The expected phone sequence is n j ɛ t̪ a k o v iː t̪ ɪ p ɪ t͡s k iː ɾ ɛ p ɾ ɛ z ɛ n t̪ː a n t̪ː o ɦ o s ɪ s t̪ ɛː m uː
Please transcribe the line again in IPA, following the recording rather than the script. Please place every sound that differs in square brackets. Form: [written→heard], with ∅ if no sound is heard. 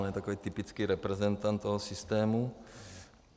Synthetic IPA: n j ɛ t̪ a k o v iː t̪ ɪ p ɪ t͡s k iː ɾ ɛ p ɾ ɛ z ɛ n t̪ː a n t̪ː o ɦ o s ɪ s t̪ ɛː m [uː→u]